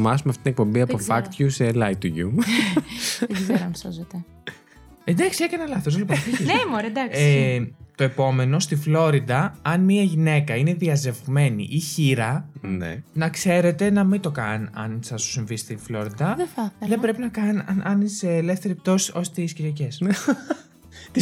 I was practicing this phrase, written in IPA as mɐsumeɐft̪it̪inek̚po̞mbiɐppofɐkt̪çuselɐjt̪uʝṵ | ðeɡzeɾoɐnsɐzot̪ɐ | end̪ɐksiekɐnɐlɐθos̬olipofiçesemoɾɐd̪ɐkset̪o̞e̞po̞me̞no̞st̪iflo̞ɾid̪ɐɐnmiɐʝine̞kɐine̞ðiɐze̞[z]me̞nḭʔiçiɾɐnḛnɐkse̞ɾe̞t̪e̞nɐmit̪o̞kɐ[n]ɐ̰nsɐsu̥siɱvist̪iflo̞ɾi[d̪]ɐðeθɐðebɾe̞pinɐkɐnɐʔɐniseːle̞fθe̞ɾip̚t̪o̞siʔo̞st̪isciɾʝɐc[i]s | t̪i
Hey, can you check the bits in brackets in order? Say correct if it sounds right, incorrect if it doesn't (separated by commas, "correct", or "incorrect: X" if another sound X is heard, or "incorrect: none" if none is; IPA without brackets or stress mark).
incorrect: v, correct, correct, incorrect: e